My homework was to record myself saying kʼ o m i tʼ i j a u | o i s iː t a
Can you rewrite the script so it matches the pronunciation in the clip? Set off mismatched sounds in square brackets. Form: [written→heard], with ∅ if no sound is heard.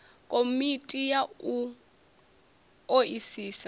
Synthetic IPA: kʼ o m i tʼ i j a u | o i s iː [t→s] a